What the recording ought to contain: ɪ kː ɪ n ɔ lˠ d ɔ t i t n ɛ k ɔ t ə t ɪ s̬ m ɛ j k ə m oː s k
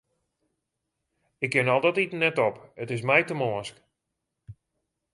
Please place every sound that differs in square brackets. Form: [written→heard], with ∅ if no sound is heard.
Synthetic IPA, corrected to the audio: ɪ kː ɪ n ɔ lˠ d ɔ t i t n ɛ [k→t] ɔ [t→p] ə t ɪ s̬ m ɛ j [k→t] ə m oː s k